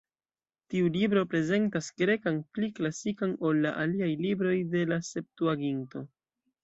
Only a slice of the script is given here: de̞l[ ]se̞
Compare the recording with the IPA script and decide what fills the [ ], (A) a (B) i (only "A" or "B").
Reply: A